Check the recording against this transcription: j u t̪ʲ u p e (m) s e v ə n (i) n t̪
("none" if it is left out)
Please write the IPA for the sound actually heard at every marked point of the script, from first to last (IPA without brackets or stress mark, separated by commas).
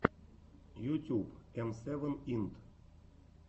m, i